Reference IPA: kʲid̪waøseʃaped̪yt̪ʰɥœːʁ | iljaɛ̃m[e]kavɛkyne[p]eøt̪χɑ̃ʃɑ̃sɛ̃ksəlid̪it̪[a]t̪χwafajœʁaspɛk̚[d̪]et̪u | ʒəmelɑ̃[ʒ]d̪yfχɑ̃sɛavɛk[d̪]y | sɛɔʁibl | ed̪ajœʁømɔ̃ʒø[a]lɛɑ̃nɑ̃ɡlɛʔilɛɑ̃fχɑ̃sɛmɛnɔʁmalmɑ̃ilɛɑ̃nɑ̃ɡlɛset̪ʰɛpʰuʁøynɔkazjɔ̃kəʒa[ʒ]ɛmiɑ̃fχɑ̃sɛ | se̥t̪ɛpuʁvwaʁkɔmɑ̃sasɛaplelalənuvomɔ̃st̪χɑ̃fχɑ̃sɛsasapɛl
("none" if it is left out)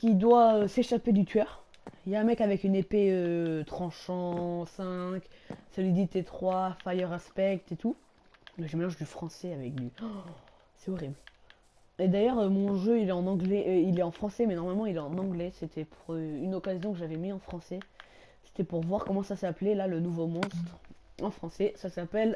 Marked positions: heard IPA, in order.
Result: ɛ, p, e, t̪, ʒ, d̪, i, v

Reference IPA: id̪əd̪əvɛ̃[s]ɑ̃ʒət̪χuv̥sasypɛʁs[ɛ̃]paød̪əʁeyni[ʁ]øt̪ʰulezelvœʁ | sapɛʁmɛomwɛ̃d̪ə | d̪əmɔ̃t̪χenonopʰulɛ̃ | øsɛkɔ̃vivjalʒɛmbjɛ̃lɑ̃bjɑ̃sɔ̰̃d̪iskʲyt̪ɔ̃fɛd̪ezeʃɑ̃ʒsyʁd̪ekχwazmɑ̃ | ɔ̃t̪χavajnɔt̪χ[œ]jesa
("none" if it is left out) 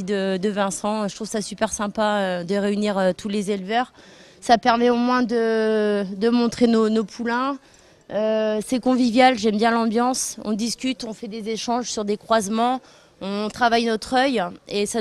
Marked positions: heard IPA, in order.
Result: s, ɛ̃, ʁ, œ

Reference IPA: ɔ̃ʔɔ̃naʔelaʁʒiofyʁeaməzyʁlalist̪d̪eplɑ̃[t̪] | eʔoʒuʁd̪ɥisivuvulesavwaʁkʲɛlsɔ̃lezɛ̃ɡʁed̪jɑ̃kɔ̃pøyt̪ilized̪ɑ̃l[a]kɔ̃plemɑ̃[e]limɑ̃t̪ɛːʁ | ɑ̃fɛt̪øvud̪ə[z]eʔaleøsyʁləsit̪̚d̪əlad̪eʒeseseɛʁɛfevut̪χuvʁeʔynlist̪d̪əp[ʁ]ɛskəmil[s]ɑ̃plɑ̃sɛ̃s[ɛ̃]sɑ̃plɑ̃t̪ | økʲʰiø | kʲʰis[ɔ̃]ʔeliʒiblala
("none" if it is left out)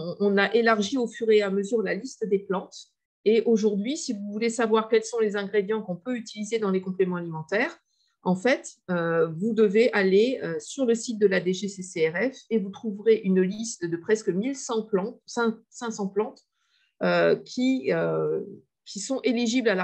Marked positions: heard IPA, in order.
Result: t̪, e, a, v, χ, s, ɛ̃, ɔ̃

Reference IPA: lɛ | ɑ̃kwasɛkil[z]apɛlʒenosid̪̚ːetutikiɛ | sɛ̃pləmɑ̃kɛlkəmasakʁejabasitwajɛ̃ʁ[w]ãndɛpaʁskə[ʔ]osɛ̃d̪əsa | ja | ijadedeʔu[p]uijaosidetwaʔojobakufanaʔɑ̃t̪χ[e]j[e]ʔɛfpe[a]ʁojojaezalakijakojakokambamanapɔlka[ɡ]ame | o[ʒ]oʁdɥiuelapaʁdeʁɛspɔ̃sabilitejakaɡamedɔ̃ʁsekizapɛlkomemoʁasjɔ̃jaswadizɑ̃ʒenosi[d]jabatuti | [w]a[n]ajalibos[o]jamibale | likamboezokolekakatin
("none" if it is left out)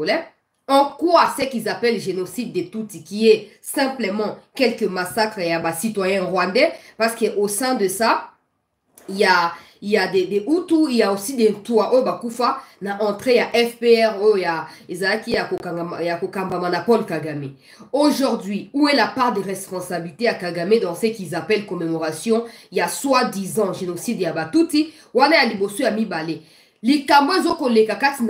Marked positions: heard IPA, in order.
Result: z, w, ʔ, t, e, a, ɛ, ɡ, ʒ, d, w, n, o

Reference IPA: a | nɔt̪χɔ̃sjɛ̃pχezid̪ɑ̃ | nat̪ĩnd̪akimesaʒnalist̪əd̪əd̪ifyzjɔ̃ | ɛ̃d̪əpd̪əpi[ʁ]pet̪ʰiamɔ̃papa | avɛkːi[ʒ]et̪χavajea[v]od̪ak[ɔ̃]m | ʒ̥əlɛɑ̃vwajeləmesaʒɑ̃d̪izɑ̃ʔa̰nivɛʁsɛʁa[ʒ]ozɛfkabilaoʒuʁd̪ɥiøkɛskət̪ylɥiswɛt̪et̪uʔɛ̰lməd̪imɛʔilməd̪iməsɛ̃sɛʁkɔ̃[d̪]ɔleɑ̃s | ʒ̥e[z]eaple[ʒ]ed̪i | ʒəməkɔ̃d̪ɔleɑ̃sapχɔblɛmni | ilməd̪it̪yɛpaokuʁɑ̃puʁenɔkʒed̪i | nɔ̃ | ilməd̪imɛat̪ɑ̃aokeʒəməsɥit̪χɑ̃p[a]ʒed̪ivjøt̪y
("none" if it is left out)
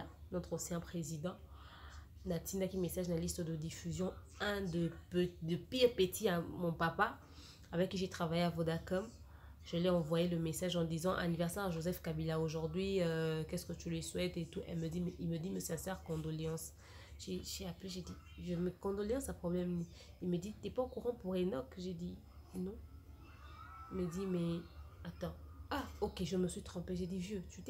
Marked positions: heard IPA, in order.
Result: ʁ, ʒ, v, ɔ, ʒ, d̪, ʒ, ʒ, e

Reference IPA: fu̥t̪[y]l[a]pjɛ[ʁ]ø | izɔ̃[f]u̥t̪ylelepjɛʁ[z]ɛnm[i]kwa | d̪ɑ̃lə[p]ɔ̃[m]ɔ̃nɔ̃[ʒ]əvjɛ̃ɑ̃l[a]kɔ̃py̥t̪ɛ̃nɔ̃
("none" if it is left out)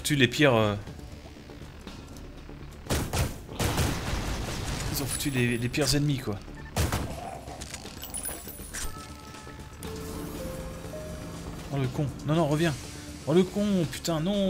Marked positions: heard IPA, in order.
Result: y, e, ʁ, f, z, i, k, n, ʁ, ə

